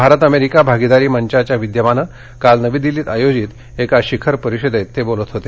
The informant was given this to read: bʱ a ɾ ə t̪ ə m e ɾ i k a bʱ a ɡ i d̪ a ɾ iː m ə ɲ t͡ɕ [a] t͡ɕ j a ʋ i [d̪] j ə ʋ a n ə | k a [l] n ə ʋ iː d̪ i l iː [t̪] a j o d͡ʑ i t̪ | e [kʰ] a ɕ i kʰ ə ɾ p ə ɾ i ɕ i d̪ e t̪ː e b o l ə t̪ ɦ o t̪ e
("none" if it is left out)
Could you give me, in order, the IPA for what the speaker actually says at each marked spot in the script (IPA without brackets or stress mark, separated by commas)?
a, d̪, l, t̪, k